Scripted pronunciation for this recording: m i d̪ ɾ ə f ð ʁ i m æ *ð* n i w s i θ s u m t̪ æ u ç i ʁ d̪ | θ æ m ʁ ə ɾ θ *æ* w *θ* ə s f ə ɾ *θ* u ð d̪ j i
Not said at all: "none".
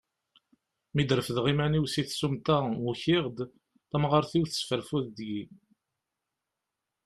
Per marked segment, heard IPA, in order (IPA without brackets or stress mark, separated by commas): none, i, θ, f